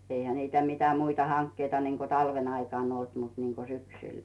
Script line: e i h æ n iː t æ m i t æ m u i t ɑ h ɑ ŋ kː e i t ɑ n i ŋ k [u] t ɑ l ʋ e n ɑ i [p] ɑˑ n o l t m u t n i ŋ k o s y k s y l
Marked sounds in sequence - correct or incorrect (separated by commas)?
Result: incorrect, incorrect